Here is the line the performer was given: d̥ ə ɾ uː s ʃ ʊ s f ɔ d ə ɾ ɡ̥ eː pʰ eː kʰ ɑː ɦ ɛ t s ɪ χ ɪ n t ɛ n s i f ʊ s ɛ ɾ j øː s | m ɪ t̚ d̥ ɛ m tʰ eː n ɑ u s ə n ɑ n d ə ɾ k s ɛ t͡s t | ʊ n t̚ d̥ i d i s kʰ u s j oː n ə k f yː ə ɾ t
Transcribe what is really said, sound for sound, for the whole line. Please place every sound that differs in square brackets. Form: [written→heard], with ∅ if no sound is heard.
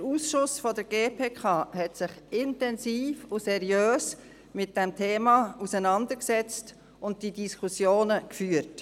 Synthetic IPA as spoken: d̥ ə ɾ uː s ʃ ʊ s f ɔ d ə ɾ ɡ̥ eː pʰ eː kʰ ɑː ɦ ɛ t s ɪ χ ɪ n t ɛ n s [i→iː] f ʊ s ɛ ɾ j øː s | m ɪ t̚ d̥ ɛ m tʰ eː [n→m] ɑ u s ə n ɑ n d ə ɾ k s ɛ t͡s t | ʊ n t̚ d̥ i d i s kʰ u s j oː n ə k f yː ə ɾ t